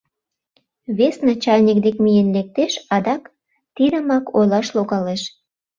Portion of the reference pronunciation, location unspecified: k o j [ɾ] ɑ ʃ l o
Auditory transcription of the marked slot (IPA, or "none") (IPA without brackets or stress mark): l